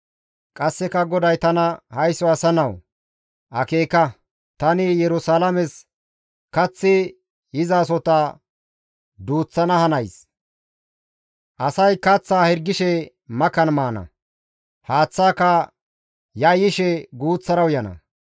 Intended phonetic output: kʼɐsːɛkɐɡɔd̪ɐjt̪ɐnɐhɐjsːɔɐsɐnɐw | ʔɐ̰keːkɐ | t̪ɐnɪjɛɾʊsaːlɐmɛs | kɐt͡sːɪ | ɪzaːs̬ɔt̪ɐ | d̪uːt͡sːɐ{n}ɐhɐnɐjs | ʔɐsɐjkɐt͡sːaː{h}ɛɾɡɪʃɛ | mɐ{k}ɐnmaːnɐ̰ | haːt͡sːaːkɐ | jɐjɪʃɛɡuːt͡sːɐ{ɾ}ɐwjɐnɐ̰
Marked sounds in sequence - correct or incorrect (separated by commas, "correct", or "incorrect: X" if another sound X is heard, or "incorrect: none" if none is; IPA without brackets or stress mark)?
correct, correct, correct, correct